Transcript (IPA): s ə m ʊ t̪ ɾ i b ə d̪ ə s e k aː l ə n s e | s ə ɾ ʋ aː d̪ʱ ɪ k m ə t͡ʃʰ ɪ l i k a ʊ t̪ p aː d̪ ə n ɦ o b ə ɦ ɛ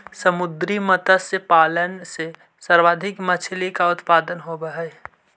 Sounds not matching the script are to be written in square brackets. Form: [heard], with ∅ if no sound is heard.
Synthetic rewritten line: s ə m ʊ [d̪] ɾ i [m] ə [t̪] ə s e [p] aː l ə n s e | s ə ɾ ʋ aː d̪ʱ ɪ k m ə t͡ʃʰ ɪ l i k a ʊ t̪ p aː d̪ ə n ɦ o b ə ɦ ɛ

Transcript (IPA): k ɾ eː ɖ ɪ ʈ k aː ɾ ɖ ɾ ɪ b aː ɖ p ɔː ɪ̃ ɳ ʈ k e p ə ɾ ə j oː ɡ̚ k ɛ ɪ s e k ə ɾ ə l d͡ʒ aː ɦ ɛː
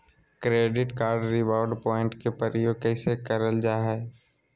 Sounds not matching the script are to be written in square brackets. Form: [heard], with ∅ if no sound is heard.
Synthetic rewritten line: k ɾ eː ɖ ɪ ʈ k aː ɾ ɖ ɾ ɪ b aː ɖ p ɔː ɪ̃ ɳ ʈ k e p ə ɾ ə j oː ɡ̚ k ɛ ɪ s e k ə ɾ ə l d͡ʒ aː ɦ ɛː

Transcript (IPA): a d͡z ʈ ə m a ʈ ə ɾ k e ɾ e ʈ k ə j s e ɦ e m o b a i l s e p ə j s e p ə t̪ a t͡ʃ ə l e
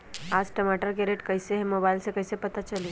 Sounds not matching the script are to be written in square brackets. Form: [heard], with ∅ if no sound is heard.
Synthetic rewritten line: a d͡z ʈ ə m a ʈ ə ɾ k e ɾ e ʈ k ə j s e ɦ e m o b a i l s e [k] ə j s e p ə t̪ a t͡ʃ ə l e

